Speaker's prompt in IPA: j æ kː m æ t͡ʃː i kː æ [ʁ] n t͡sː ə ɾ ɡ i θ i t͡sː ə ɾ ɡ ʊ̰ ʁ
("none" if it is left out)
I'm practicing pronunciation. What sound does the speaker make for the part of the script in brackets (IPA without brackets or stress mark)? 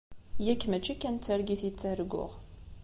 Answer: none